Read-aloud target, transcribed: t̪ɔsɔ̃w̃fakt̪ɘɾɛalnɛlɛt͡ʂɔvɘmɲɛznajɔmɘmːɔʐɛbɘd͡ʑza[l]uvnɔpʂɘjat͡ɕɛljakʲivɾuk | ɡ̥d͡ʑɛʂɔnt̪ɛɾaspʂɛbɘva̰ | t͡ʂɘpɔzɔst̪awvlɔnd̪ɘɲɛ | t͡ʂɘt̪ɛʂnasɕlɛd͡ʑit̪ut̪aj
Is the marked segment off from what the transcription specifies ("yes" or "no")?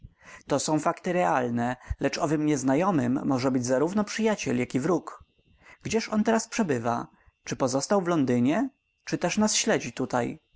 yes